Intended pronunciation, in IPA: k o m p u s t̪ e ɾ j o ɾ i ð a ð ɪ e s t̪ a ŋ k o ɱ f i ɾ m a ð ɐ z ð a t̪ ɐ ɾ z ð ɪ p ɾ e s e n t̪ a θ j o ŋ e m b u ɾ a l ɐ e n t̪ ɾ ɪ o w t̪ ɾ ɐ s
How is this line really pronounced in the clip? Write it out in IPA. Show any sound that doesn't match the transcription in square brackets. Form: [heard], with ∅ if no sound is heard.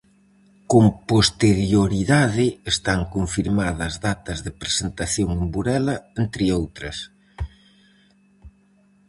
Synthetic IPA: k o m p [o] s t̪ e ɾ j o ɾ i ð a ð ɪ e s t̪ a ŋ k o ɱ f i ɾ m a ð ɐ z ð a t̪ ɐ [∅] z ð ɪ p ɾ e s e n t̪ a θ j o ŋ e m b u ɾ [ɛ] l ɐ e n t̪ ɾ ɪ o w t̪ ɾ ɐ s